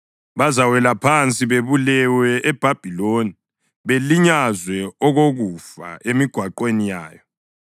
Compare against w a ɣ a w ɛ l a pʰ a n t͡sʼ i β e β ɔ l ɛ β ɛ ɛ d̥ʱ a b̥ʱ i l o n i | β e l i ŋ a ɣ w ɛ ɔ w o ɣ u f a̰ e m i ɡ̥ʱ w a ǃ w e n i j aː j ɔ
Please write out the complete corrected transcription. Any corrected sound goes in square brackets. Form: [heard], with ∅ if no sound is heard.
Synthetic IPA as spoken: [β] a [z] a w ɛ l a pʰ a n t͡sʼ i β e β [u] l ɛ [w] ɛ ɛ [b̥ʱ] a b̥ʱ i l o n i | β e l i [ɲ] a [z] w ɛ ɔ [ɣ] o ɣ u f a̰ e m i ɡ̥ʱ w a ǃ w e n i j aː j ɔ